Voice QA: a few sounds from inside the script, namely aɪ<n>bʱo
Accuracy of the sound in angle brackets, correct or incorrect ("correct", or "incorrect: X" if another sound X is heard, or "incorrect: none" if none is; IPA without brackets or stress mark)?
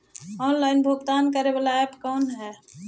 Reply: correct